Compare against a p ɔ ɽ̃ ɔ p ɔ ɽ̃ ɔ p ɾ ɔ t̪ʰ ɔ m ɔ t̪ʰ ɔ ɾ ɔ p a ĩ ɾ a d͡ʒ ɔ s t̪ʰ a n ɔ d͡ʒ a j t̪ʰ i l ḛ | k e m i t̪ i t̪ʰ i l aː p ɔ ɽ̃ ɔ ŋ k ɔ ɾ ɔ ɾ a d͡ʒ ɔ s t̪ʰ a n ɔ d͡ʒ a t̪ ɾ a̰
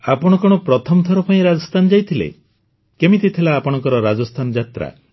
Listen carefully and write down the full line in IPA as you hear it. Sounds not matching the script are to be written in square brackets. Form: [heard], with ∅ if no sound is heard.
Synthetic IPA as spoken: a p ɔ ɽ̃ ɔ [k] ɔ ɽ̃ ɔ p ɾ ɔ t̪ʰ ɔ m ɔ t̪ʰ ɔ ɾ ɔ p a ĩ ɾ a d͡ʒ ɔ s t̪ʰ a n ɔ d͡ʒ a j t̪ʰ i l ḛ | k e m i t̪ i t̪ʰ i l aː p ɔ ɽ̃ ɔ ŋ k ɔ ɾ ɔ ɾ a d͡ʒ ɔ s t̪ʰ a n ɔ d͡ʒ a t̪ ɾ a̰